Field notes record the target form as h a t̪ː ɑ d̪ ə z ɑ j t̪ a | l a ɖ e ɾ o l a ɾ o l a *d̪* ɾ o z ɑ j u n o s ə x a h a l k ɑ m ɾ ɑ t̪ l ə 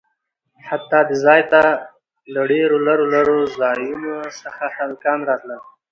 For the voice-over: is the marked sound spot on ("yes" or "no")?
no